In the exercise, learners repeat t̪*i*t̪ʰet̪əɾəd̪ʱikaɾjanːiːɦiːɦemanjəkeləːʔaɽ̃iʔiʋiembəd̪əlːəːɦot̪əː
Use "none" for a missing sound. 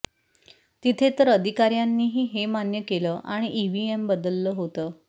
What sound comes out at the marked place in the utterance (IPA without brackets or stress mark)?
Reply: i